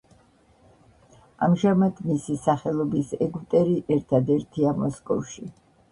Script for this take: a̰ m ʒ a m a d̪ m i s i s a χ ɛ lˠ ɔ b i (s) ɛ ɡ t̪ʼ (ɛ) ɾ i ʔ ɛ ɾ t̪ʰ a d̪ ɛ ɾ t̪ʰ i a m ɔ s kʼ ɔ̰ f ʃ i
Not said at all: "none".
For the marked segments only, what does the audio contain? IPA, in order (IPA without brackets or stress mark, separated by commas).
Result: s, ɛ